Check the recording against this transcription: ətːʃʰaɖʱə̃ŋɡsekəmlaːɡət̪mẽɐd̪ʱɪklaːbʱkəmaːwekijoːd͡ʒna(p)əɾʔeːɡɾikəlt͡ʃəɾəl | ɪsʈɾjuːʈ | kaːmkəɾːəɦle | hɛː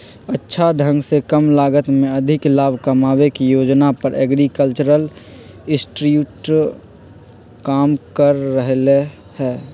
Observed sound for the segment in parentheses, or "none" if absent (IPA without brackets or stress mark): p